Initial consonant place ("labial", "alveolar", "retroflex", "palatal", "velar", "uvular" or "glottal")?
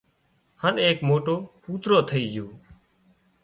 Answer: glottal